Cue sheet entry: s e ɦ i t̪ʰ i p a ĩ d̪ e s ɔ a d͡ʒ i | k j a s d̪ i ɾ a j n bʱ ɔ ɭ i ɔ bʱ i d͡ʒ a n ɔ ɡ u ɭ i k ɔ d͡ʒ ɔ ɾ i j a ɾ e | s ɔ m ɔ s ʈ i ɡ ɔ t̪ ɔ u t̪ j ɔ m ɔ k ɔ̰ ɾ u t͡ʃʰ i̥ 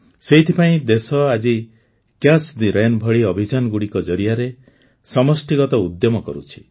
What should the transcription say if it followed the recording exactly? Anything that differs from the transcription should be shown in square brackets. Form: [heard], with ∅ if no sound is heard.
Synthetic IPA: s e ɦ i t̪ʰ i p a ĩ d̪ e s ɔ a d͡ʒ i | k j a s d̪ i ɾ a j n bʱ ɔ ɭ i ɔ bʱ i d͡ʒ a n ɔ ɡ u [ɽ] i k ɔ d͡ʒ ɔ ɾ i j a ɾ e | s ɔ m ɔ s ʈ i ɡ ɔ t̪ ɔ u [d̪] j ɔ m ɔ k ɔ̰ ɾ u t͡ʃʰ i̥

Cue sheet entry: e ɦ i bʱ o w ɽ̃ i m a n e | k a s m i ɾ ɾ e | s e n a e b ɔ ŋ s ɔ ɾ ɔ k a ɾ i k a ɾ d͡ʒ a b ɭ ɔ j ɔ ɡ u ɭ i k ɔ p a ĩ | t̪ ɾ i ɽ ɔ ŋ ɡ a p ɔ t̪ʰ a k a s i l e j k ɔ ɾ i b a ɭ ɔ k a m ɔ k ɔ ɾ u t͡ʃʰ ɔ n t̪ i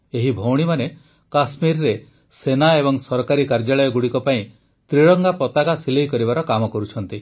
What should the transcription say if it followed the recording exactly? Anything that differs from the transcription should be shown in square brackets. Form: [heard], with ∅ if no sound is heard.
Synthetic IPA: e ɦ i bʱ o w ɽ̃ i m a n e | k a s m i ɾ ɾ e | s e n a e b ɔ ŋ s ɔ ɾ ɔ k a ɾ i k a ɾ d͡ʒ a [∅] ɭ ɔ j ɔ ɡ u [ɽ] i k ɔ p a ĩ | t̪ ɾ i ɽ ɔ ŋ ɡ a p ɔ [t̪] a k a s i l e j k ɔ ɾ i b a [ɾ] ɔ k a m ɔ k ɔ ɾ u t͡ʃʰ ɔ n t̪ i

